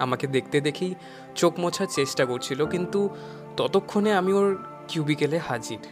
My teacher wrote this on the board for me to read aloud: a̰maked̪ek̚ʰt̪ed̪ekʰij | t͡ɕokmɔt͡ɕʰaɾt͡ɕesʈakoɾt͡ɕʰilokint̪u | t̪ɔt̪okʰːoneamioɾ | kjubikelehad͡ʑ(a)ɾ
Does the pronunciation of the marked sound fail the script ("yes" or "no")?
yes